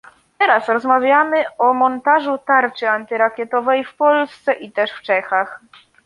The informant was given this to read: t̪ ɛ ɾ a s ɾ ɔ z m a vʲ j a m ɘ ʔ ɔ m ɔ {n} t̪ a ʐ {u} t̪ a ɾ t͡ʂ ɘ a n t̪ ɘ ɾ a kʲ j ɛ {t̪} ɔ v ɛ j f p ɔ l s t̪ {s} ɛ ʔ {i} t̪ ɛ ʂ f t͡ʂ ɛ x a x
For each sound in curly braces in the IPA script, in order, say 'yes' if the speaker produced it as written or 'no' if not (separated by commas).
yes, yes, yes, yes, yes